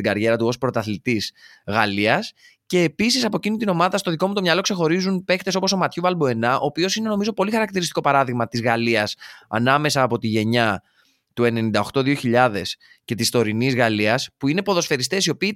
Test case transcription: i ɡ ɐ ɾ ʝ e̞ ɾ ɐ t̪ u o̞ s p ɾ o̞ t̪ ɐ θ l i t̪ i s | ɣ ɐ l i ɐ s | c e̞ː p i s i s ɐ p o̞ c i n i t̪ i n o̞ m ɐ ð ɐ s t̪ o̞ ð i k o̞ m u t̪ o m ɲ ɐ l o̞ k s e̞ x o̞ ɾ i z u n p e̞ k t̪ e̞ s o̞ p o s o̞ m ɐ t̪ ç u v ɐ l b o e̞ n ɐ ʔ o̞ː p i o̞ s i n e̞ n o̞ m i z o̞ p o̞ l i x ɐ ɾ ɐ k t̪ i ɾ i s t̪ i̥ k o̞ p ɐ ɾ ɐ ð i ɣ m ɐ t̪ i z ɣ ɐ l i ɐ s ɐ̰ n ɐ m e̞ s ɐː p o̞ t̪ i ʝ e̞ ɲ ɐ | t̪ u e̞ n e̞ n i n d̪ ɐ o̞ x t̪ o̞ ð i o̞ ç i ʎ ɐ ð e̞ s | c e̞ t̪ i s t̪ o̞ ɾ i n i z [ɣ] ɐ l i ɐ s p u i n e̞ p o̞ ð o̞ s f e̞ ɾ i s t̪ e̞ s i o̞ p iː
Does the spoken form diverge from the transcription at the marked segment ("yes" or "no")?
no